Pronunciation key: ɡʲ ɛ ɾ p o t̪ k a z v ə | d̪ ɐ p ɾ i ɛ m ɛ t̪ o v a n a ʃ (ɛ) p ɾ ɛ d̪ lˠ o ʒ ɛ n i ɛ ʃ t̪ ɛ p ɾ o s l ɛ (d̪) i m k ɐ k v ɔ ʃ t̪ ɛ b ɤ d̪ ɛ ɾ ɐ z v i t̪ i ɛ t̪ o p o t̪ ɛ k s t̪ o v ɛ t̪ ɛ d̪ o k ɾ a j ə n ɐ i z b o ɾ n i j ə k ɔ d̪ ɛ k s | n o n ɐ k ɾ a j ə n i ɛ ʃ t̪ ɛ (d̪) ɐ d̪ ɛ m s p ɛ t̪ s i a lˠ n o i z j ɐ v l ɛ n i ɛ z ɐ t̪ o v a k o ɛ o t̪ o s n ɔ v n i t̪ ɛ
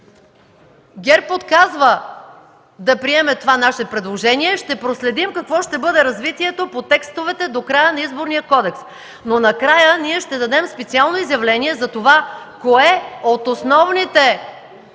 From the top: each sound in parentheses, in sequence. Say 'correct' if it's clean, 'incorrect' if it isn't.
correct, correct, correct

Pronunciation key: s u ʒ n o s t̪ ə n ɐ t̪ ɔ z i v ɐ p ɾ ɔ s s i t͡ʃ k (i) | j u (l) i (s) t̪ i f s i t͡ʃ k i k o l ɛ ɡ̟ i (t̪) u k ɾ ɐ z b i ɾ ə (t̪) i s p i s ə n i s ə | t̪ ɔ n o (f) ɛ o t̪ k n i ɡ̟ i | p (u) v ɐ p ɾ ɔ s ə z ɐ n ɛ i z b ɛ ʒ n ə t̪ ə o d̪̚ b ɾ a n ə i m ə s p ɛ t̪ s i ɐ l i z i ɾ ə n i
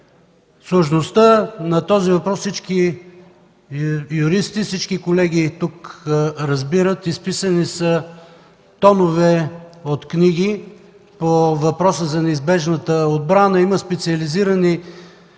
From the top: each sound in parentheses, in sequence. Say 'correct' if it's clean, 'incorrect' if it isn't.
correct, incorrect: ɾ, correct, correct, correct, incorrect: v, incorrect: o

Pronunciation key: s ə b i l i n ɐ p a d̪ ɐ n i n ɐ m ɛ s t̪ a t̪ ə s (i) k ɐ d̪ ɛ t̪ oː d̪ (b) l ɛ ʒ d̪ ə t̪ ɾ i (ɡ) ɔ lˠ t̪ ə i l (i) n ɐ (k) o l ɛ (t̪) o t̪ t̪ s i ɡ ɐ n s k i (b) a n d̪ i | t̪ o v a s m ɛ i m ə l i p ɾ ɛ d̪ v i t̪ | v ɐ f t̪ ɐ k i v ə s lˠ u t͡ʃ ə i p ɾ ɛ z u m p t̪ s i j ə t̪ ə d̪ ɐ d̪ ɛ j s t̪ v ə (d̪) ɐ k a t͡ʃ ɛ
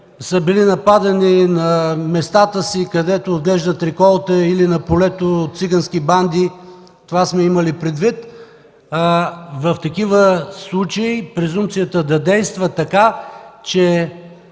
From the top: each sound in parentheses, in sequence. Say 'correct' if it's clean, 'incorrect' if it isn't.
correct, incorrect: ɡ, incorrect: k, correct, incorrect: p, correct, correct, incorrect: t̪

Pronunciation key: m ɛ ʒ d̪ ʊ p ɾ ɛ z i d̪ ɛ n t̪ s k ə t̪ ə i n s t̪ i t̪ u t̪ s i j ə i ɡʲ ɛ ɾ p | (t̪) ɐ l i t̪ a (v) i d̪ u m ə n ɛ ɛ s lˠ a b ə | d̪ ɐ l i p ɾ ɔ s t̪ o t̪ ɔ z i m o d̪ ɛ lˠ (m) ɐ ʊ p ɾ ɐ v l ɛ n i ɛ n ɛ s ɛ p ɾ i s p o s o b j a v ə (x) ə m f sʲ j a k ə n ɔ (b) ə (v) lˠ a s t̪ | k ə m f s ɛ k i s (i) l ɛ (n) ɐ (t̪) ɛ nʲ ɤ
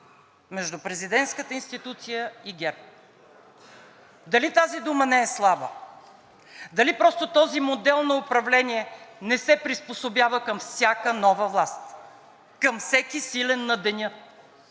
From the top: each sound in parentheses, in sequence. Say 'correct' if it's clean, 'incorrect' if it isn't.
incorrect: d̪, incorrect: z, incorrect: n, incorrect: k, incorrect: v, correct, correct, incorrect: nː, incorrect: d̪

